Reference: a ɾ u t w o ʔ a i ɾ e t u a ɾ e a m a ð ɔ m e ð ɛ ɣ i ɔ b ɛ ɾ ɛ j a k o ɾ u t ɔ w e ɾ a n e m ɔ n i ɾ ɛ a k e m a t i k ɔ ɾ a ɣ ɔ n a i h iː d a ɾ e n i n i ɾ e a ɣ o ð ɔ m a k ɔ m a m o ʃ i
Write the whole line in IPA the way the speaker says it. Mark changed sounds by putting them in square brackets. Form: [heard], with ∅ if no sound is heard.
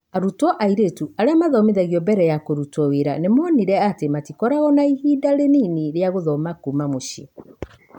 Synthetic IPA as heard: a ɾ u t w [ɔ] ʔ a i ɾ e t u a ɾ e a m a ð ɔ m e ð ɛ ɣ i ɔ b ɛ ɾ ɛ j a k o ɾ u t ɔ w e ɾ a n e m ɔ n i ɾ ɛ a [t] e m a t i k ɔ ɾ a ɣ ɔ n a i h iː d a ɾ e n i n i ɾ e a ɣ o ð ɔ m a k [u] m a m o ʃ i